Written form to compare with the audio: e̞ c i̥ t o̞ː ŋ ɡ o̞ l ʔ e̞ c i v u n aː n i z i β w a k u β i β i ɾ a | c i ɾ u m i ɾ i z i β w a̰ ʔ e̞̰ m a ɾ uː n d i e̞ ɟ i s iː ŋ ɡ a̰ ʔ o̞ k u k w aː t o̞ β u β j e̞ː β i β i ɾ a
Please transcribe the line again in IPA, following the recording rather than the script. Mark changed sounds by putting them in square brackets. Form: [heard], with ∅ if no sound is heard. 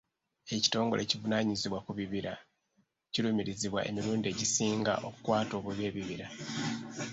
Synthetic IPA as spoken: e̞ c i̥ t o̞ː ŋ ɡ o̞ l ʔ e̞ c i v u n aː [ɲ] i z i β w a k u β i β i ɾ a | c i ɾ u m i ɾ i z i β w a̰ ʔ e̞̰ m [i] ɾ uː n d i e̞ ɟ i s iː ŋ ɡ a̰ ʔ o̞ k u k w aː t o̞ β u β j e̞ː β i β i ɾ a